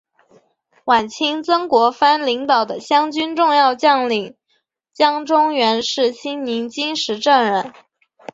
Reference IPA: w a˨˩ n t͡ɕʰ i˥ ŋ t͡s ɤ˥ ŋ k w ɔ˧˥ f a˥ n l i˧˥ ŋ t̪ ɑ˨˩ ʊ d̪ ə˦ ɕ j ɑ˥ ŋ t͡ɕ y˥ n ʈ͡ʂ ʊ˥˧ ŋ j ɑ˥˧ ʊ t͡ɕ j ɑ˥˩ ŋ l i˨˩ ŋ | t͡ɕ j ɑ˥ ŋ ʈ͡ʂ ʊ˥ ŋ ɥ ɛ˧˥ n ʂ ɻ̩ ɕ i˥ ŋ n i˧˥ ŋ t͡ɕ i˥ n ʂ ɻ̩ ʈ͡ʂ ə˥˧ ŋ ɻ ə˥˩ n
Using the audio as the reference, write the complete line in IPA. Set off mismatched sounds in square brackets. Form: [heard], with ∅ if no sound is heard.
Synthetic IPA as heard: w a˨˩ n t͡ɕʰ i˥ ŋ t͡s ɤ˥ ŋ k w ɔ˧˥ f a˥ n l i˧˥ ŋ t̪ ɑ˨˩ ʊ d̪ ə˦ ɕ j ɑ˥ ŋ t͡ɕ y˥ n ʈ͡ʂ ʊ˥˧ ŋ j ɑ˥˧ ʊ t͡ɕ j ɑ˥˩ ŋ l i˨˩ ŋ | t͡ɕ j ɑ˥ ŋ ʈ͡ʂ ʊ˥ ŋ ɥ ɛ˧˥ n ʂ ɻ̩ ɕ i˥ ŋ n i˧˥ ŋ t͡ɕ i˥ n ʂ ɻ̩ ʈ͡ʂ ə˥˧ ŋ ɻ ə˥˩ n

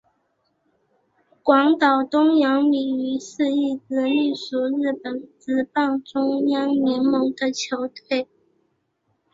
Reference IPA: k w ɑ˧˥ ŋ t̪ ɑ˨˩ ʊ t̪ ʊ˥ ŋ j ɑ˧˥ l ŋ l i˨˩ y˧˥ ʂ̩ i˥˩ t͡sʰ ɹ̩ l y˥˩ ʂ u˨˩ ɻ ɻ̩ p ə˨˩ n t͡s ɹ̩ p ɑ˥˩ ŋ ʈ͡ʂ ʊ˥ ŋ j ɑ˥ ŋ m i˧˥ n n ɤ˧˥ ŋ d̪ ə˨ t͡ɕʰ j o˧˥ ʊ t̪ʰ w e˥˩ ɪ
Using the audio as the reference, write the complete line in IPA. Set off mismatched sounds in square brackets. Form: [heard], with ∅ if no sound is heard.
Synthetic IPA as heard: k w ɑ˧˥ ŋ t̪ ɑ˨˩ ʊ t̪ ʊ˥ ŋ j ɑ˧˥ [∅] ŋ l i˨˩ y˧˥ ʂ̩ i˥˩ [t͡s] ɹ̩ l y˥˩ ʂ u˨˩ ɻ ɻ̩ p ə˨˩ n t͡s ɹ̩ p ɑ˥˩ ŋ ʈ͡ʂ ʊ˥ ŋ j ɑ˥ ŋ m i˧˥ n [m] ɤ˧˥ ŋ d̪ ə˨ t͡ɕʰ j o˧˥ ʊ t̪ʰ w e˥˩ ɪ

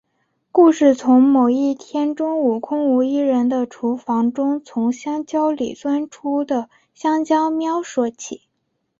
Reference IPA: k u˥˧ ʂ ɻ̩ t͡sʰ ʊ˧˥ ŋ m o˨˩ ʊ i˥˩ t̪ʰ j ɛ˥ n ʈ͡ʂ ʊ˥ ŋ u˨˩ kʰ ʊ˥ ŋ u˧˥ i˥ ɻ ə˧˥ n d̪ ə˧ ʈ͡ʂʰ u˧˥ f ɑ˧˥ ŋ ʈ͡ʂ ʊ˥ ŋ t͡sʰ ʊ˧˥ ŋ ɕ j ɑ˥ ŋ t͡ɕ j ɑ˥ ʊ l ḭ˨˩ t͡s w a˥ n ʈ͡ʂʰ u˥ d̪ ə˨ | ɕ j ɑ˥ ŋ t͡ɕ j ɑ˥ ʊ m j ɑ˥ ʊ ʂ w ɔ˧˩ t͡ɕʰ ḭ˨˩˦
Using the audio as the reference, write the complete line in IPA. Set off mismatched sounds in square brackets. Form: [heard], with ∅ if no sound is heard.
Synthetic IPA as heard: k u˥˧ ʂ ɻ̩ t͡sʰ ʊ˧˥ ŋ m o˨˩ ʊ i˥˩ t̪ʰ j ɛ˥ n ʈ͡ʂ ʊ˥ ŋ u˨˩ kʰ ʊ˥ ŋ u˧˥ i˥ ɻ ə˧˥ n d̪ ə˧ ʈ͡ʂʰ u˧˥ f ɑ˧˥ ŋ ʈ͡ʂ ʊ˥ ŋ t͡sʰ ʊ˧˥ ŋ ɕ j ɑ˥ ŋ t͡ɕ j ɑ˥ ʊ l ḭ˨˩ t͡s w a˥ n ʈ͡ʂʰ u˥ d̪ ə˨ | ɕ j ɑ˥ ŋ t͡ɕ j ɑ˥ ʊ m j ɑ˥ ʊ ʂ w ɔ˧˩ t͡ɕʰ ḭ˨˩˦

